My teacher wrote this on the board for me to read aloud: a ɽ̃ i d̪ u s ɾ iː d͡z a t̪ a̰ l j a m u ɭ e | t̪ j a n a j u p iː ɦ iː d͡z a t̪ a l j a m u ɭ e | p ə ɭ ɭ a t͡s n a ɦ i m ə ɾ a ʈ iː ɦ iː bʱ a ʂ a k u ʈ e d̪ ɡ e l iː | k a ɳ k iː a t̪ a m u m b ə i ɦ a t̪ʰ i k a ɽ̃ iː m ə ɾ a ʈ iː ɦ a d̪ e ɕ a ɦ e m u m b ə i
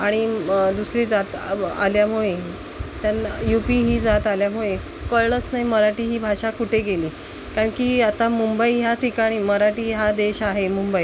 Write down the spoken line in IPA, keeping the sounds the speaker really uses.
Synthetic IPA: a ɽ̃ i d̪ u s ɾ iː d͡z a t̪ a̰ l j a m u ɭ e | t̪ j a n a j u p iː ɦ iː d͡z a t̪ a l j a m u ɭ e | k ə ɭ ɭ ə t͡s n a ɦ i m ə ɾ a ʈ iː ɦ iː bʱ a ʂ a k u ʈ e ɡ e l iː | k a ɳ k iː a t̪ a m u m b ə i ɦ a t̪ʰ i k a ɽ̃ iː m ə ɾ a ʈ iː ɦ a d̪ e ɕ a ɦ e m u m b ə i